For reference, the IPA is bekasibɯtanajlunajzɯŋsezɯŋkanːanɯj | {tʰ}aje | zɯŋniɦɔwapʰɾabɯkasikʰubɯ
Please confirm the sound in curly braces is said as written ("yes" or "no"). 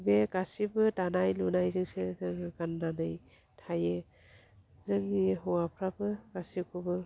yes